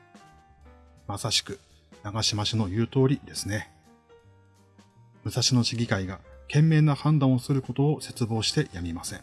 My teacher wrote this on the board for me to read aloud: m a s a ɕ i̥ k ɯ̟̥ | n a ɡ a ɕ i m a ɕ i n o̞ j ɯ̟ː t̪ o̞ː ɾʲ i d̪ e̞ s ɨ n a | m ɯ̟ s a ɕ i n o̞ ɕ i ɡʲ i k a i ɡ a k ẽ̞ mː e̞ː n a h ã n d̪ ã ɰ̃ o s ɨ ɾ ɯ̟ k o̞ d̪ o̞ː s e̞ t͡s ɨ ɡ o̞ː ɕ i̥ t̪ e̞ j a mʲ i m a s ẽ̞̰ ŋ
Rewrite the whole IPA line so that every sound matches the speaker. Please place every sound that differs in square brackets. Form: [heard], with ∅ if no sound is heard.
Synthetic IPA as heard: m a s a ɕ i̥ k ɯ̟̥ | n a ɡ a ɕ i m a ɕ i n o̞ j ɯ̟ː t̪ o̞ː ɾʲ i d̪ e̞ s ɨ n [e] | m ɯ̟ s a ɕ i n o̞ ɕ i ɡʲ i k a i ɡ a k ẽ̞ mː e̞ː n a h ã n d̪ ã ɰ̃ o s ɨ ɾ ɯ̟ k o̞ [t̪] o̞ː s e̞ t͡s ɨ [b] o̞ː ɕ i̥ t̪ e̞ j a mʲ i m a s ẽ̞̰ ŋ